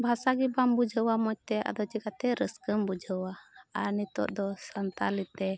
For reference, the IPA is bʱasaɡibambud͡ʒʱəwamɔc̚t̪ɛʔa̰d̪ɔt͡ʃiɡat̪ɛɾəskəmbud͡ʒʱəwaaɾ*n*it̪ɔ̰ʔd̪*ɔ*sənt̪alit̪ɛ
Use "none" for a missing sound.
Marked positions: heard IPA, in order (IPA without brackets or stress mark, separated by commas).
n, ɔ